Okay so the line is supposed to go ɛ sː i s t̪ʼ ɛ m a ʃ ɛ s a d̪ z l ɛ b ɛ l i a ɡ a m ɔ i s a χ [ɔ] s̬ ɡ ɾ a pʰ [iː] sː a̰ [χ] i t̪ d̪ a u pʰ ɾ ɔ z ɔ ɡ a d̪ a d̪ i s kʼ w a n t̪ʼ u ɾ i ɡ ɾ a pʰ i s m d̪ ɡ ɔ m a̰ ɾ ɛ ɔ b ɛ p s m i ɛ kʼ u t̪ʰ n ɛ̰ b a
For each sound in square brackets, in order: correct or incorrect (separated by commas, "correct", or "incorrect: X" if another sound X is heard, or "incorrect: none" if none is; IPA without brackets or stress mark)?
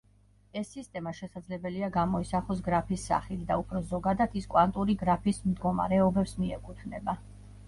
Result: correct, incorrect: i, correct